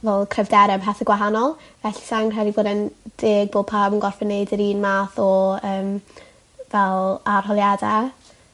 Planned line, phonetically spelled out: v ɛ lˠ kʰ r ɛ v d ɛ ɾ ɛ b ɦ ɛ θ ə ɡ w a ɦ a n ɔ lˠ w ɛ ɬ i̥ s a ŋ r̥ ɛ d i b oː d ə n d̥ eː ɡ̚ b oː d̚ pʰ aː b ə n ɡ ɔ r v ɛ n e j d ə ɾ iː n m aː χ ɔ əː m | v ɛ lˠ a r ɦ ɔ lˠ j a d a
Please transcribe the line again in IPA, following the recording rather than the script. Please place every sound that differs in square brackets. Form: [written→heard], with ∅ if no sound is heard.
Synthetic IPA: v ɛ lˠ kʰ r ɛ v d ɛ ɾ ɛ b ɦ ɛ θ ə ɡ w a ɦ a n ɔ lˠ [w→v] ɛ ɬ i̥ s a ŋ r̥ ɛ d i b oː d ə n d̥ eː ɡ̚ b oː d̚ pʰ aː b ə n ɡ ɔ r [v→f] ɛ n e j d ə ɾ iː n m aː [χ→θ] ɔ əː m | v ɛ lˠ a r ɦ ɔ lˠ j a d a